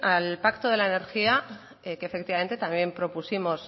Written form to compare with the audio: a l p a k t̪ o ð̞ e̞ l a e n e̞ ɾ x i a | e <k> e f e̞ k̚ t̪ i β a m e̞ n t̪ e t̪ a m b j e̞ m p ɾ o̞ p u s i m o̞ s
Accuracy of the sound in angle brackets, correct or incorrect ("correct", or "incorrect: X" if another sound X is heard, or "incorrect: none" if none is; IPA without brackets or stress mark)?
correct